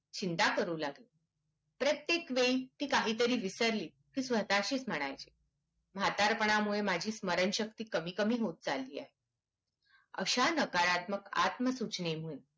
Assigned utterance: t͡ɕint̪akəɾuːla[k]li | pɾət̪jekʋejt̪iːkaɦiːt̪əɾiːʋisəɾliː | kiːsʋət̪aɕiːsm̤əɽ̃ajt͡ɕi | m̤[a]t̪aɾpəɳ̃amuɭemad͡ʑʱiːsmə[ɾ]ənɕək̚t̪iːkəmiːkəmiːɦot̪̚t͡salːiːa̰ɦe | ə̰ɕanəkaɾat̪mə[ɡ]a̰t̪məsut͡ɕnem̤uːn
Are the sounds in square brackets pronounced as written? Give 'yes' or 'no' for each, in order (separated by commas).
no, yes, yes, no